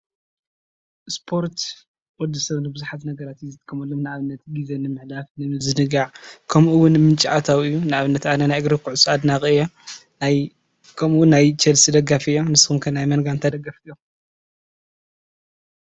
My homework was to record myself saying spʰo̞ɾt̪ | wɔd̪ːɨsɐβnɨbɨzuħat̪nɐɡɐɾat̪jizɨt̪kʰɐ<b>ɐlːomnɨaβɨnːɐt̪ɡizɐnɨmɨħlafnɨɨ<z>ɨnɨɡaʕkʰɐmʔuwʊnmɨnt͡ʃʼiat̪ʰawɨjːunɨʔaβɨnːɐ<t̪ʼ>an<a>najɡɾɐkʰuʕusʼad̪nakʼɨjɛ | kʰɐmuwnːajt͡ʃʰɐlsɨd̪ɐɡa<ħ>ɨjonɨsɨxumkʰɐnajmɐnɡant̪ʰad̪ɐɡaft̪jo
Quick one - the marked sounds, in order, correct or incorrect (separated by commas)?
incorrect, correct, incorrect, incorrect, incorrect